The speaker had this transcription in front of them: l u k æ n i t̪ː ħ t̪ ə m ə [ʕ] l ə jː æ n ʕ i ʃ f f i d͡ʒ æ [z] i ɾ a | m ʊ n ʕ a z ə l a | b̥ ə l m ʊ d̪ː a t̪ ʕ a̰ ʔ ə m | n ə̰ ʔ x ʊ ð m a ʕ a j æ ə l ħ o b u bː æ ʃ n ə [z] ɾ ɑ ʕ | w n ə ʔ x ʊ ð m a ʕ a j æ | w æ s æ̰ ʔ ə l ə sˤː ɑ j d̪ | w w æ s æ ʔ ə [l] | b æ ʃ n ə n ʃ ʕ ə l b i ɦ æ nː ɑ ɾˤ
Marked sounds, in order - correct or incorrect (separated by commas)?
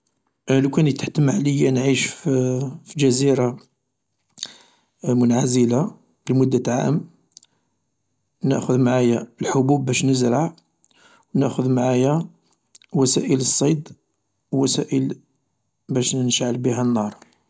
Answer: correct, correct, correct, correct